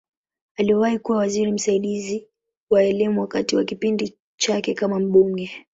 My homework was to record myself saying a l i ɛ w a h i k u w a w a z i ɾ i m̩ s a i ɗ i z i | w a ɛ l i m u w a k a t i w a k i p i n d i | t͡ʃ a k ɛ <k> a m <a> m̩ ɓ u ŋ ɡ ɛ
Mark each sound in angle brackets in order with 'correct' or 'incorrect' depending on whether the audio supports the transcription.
correct, correct

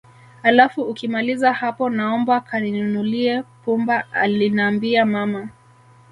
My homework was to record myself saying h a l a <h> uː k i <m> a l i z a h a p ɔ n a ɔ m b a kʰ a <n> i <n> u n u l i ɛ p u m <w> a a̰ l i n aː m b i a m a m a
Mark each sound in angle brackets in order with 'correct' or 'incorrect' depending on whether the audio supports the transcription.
incorrect, correct, correct, correct, incorrect

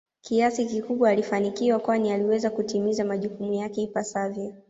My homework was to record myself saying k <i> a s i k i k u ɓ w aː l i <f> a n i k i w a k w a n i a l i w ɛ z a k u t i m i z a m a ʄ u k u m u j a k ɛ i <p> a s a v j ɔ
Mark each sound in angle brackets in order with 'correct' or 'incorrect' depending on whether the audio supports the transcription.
correct, correct, correct

